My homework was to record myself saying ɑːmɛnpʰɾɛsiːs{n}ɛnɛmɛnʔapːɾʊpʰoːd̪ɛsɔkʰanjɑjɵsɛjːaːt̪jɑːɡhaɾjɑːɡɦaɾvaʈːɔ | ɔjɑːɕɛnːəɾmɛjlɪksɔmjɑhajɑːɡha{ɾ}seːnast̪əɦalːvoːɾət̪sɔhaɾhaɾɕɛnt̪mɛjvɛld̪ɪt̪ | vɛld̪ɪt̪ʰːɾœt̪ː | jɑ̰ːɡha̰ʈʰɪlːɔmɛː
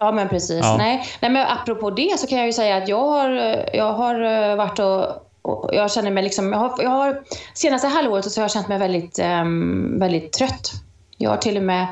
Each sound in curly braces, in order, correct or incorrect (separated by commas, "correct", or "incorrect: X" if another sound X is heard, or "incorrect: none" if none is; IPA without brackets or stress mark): correct, correct